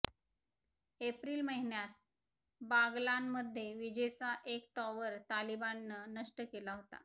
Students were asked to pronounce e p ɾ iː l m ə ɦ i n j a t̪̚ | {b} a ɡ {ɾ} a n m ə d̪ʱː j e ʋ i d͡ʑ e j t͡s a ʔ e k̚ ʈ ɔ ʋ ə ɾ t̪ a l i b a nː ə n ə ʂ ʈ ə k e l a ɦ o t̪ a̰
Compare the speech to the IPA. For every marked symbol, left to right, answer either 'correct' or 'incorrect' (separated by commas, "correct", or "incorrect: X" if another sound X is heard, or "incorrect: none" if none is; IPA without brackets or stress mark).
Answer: correct, incorrect: l